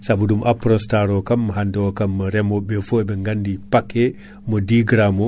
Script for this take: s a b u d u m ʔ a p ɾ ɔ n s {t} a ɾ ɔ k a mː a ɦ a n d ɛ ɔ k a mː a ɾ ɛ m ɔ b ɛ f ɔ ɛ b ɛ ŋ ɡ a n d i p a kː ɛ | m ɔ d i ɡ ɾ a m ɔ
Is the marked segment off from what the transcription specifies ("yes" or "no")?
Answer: no